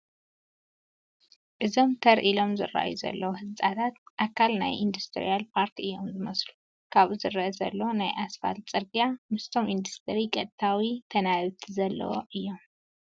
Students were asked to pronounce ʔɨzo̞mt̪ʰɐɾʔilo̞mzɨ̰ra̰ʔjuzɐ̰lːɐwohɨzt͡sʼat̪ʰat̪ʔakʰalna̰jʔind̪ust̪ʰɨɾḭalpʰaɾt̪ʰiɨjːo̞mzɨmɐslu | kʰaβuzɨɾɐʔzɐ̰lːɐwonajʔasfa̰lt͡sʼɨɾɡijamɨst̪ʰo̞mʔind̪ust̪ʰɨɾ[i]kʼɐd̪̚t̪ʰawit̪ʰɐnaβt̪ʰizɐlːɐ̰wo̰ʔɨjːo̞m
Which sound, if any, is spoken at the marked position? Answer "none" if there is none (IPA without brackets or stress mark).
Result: i